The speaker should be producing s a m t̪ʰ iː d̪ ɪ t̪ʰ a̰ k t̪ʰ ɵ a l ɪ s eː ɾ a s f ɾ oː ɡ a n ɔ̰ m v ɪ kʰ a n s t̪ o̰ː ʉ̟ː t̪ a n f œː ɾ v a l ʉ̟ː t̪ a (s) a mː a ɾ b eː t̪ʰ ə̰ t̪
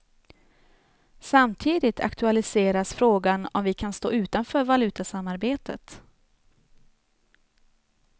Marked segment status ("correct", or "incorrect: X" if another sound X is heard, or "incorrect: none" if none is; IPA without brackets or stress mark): correct